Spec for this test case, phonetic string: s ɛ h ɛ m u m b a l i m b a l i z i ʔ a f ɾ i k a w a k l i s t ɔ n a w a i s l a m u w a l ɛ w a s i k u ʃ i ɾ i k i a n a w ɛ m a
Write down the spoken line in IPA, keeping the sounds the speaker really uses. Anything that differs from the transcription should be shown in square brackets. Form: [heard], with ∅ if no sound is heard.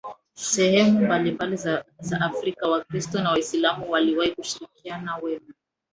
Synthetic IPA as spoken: s ɛ h ɛ m u m b a l i m b a l i z [a] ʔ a f ɾ i k a w a k [ɾ] i s t ɔ n a w a i s l a m u w a l [i] w a [h] i k u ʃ i ɾ i k i a n a w ɛ m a